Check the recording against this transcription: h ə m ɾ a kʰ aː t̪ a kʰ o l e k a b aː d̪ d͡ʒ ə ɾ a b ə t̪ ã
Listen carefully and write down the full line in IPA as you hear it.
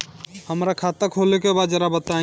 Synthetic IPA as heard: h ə m ɾ a kʰ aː t̪ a kʰ o l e k e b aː d̪ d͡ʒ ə ɾ a b ə t̪ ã